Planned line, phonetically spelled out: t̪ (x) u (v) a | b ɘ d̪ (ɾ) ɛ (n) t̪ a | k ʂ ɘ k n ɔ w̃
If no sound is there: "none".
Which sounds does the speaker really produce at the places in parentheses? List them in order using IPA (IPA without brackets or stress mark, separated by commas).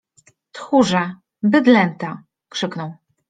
x, ʐ, l, n